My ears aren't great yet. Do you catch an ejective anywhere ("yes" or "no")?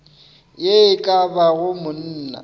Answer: yes